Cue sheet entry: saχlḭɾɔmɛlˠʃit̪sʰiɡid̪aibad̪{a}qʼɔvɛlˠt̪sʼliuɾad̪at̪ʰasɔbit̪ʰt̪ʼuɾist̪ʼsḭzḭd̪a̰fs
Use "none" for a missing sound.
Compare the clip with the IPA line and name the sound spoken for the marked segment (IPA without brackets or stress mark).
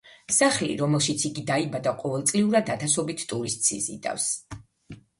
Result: a